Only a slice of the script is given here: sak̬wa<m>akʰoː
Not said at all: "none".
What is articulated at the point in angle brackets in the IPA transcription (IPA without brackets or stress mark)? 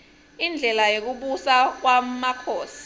m